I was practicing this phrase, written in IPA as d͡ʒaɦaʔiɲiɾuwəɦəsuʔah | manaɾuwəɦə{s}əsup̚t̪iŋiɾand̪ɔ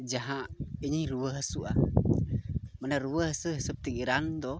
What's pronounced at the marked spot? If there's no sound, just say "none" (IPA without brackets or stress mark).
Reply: s